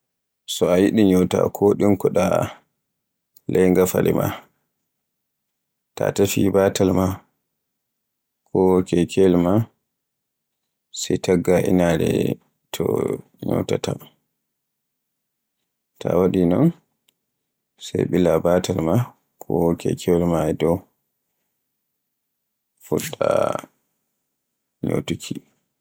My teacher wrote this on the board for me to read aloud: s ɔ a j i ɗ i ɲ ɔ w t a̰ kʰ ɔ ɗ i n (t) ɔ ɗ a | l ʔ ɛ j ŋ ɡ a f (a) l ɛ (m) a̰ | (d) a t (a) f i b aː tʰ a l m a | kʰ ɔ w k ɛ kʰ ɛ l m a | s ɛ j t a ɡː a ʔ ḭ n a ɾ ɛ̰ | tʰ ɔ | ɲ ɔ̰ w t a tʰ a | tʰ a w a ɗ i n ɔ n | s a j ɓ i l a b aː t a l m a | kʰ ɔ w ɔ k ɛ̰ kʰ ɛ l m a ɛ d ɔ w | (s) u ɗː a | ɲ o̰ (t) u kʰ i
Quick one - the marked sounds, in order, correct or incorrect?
incorrect, correct, correct, incorrect, correct, incorrect, correct

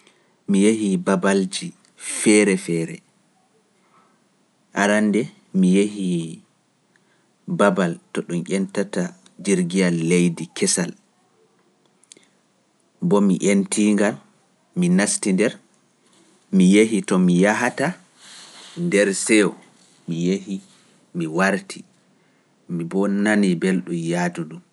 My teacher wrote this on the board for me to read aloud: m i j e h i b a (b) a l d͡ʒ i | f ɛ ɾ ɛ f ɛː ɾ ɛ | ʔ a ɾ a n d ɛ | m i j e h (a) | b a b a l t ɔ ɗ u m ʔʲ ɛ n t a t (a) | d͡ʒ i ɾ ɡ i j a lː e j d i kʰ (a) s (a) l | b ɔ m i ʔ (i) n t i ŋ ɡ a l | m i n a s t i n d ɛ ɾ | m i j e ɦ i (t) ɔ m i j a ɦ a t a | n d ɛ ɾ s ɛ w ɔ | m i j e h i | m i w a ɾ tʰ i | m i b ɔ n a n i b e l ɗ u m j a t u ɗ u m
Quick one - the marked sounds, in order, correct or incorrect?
correct, incorrect, correct, incorrect, correct, incorrect, correct

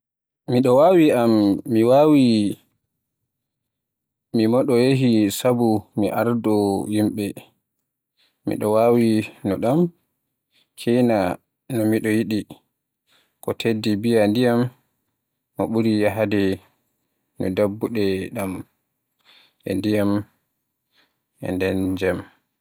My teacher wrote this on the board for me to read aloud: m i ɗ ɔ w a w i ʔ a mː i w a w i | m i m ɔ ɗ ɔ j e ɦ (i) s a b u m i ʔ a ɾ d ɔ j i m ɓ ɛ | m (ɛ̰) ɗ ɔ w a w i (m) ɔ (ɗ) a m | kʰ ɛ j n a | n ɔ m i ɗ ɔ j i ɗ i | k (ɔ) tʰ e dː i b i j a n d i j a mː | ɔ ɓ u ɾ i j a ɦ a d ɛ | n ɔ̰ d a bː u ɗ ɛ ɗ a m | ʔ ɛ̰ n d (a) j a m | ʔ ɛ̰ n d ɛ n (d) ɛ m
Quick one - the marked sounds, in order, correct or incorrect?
correct, incorrect, incorrect, correct, correct, incorrect, incorrect

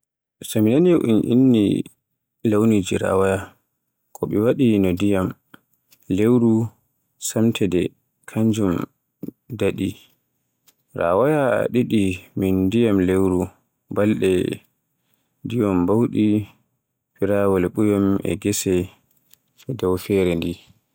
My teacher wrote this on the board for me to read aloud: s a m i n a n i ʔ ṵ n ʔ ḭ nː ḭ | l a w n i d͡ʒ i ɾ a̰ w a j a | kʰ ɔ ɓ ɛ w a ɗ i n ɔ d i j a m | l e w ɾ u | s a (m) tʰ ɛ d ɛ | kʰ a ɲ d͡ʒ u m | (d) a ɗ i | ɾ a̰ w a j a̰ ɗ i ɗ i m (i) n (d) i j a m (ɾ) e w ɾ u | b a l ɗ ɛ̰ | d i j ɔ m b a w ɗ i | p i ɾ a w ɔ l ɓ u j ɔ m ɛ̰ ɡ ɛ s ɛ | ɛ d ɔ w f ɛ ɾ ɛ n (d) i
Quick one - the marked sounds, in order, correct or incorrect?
correct, correct, correct, correct, incorrect, correct

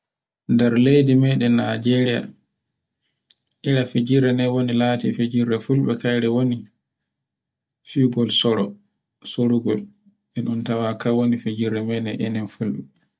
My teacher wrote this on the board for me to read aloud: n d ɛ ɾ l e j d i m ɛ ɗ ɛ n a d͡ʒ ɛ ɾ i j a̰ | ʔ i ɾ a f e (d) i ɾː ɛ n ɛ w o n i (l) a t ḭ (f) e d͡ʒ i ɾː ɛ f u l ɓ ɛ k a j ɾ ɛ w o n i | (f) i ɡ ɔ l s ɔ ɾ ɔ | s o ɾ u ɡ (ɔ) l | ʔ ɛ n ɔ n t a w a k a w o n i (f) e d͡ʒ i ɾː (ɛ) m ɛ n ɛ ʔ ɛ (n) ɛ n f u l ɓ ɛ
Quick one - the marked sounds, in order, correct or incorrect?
incorrect, correct, correct, correct, correct, correct, correct, correct

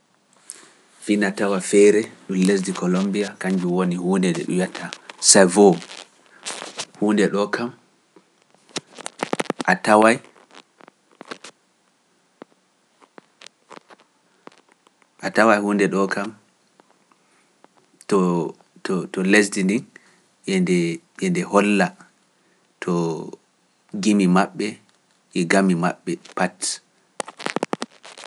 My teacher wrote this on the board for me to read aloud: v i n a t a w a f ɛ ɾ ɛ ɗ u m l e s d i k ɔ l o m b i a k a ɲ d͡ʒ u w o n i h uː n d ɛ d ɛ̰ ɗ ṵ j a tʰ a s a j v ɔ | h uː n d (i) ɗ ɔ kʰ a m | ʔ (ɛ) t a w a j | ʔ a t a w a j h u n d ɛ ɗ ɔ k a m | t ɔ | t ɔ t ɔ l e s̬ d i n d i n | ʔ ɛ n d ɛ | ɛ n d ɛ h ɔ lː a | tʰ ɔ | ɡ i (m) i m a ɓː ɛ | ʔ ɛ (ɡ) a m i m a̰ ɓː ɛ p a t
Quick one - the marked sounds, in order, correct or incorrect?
incorrect, incorrect, correct, correct

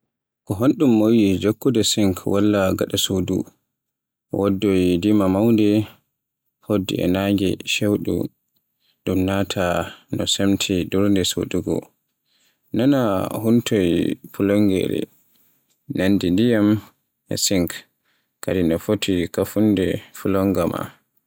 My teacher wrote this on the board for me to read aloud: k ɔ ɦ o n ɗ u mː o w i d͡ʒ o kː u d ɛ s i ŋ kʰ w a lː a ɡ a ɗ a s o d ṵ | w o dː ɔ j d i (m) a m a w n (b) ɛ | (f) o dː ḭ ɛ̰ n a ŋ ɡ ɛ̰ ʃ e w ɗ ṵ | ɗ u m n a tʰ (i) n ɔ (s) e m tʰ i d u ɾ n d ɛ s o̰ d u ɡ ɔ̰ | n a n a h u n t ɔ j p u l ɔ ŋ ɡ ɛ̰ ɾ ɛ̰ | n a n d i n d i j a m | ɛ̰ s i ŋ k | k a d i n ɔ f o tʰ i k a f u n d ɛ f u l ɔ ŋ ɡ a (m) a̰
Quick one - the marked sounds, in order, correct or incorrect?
correct, incorrect, incorrect, incorrect, correct, correct

